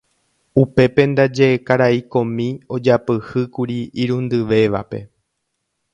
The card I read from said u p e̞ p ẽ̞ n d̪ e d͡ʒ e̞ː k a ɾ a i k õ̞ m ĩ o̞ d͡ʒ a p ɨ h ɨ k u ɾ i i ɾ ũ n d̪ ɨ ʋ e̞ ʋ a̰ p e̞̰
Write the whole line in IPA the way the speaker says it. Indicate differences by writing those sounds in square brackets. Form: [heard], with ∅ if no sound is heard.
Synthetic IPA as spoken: u p e̞ p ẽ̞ n d̪ [a] d͡ʒ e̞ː k a ɾ a i k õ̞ m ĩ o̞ d͡ʒ a p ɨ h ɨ k u ɾ i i ɾ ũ n d̪ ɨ ʋ e̞ ʋ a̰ p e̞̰